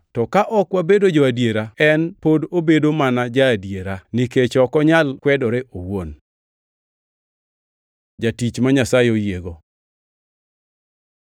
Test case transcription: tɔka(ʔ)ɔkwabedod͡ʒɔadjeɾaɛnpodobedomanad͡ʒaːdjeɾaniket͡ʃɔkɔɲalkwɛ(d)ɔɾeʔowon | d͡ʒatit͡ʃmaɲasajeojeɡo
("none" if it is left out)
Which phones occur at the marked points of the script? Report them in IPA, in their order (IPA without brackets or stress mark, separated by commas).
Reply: ʔ, d